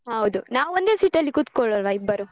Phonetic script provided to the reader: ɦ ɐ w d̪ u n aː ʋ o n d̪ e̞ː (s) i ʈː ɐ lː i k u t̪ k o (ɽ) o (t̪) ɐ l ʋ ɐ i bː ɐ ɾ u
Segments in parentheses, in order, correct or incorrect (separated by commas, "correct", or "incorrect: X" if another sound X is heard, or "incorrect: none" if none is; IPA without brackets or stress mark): correct, incorrect: ɭ, incorrect: none